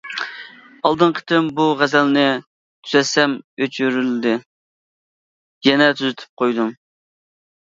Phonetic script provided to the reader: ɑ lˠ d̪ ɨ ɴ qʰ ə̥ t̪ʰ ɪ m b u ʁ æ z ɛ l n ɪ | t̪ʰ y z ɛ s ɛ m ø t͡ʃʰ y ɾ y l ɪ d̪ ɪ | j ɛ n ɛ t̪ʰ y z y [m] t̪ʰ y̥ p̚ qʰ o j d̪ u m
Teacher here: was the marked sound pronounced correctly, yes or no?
no